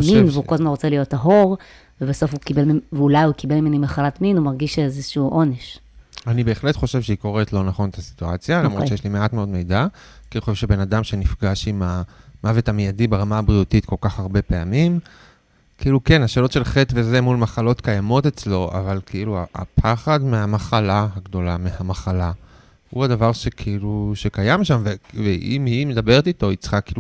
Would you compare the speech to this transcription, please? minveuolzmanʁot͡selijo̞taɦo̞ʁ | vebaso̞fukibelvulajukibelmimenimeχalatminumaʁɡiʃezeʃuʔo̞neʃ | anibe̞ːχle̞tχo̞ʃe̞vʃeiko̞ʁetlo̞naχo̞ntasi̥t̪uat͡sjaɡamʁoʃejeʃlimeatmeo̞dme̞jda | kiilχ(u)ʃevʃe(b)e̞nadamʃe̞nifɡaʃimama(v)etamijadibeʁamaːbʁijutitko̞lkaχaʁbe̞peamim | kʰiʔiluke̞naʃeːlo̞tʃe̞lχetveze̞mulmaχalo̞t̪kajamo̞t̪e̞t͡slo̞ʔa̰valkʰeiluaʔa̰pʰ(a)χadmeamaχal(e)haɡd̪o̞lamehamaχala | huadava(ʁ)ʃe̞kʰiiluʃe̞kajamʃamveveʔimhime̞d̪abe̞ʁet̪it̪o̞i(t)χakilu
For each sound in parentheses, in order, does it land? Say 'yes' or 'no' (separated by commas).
no, yes, yes, yes, no, yes, no